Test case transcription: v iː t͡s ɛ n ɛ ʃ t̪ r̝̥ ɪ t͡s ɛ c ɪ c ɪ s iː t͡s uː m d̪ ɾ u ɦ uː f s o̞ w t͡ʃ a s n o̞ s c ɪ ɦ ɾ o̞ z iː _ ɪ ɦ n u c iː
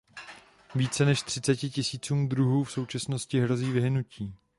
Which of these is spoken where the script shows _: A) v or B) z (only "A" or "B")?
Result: A